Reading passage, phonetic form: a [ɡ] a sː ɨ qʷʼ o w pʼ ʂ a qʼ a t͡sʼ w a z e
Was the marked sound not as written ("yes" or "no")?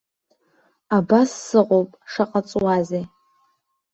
yes